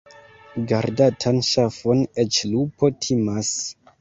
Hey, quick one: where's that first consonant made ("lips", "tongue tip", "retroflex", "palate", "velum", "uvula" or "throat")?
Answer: velum